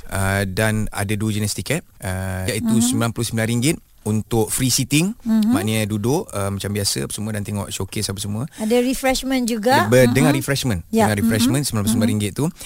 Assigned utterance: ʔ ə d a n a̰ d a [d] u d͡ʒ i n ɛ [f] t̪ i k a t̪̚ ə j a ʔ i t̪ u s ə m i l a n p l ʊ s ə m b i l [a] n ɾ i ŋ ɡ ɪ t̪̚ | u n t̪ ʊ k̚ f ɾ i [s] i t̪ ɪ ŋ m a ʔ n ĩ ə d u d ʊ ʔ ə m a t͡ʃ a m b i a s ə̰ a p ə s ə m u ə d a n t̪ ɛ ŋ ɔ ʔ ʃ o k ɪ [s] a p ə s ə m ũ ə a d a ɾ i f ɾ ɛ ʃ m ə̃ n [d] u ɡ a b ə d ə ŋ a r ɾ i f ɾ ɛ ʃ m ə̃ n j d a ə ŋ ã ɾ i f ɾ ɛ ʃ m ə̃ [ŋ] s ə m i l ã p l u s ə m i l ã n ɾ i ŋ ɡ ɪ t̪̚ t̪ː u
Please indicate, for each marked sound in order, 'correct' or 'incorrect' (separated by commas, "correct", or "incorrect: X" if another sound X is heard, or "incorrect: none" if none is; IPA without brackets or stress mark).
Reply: correct, incorrect: s, correct, correct, correct, incorrect: d͡ʒ, incorrect: n